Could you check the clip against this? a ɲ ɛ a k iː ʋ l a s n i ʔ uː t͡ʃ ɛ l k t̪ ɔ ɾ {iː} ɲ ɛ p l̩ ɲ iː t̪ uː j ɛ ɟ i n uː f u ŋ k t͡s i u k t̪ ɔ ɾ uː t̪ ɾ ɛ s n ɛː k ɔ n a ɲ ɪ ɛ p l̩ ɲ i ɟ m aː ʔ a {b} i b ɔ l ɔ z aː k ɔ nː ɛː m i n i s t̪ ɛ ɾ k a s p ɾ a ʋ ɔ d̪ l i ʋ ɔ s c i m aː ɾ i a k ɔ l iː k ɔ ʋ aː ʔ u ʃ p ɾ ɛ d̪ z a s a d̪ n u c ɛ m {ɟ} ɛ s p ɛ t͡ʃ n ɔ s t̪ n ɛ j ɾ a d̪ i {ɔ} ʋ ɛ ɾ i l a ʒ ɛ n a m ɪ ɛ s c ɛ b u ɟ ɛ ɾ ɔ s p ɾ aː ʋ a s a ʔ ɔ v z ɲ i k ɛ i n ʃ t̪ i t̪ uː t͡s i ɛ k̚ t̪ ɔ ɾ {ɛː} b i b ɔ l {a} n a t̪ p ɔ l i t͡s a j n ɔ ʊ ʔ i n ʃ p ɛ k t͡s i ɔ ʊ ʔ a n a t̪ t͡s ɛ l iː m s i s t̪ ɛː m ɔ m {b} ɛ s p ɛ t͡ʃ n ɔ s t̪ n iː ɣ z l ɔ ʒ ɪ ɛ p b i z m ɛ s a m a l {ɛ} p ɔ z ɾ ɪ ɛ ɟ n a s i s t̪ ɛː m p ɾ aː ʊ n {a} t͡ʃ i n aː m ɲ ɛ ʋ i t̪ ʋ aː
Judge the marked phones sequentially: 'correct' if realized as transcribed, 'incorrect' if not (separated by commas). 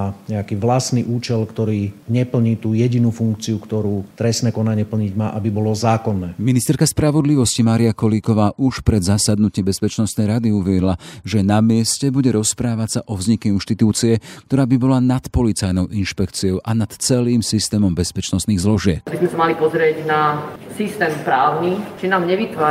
correct, correct, incorrect, incorrect, incorrect, correct, correct, incorrect, incorrect